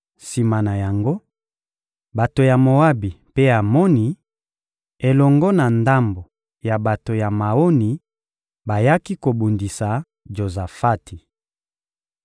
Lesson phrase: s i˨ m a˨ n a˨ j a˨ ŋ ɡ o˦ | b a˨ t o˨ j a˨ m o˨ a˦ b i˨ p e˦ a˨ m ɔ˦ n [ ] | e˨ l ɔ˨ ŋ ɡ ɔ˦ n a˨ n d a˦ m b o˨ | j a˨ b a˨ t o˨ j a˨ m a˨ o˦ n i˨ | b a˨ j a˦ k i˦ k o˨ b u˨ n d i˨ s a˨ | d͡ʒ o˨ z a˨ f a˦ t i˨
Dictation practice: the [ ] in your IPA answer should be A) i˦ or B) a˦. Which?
A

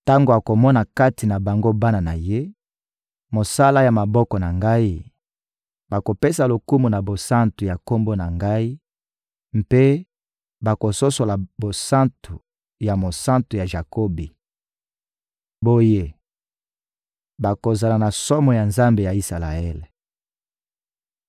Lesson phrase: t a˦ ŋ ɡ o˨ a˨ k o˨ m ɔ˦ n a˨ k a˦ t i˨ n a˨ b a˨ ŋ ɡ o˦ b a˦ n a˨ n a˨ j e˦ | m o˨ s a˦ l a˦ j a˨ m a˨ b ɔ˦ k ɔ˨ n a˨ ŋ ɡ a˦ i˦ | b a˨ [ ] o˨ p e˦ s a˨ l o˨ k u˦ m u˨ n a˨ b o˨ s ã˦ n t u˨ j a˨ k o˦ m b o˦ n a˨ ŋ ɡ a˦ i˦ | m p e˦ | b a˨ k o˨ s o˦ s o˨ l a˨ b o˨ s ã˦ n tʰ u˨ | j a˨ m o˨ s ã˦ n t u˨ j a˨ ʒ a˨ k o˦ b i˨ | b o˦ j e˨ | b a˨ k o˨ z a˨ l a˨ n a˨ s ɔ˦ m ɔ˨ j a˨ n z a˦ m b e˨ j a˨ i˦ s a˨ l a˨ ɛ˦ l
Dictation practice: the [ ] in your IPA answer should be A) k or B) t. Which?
A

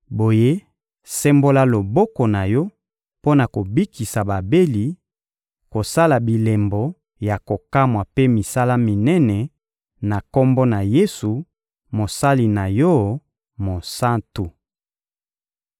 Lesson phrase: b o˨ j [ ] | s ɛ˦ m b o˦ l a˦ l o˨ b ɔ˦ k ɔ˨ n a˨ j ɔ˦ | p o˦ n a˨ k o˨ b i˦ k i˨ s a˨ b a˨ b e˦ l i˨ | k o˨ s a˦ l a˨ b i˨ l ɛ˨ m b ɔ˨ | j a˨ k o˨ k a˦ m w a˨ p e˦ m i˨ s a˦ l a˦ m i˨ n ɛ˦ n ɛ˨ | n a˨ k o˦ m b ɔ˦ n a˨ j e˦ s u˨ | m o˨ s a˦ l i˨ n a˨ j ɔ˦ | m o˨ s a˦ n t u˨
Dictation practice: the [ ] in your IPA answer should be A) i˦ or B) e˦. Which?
B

